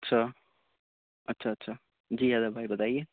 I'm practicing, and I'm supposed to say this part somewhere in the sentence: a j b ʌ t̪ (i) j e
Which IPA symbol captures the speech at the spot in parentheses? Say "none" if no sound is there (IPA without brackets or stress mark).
a